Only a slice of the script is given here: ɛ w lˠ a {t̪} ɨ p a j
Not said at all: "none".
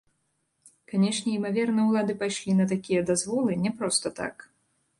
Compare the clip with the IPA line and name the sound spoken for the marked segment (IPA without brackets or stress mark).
d̪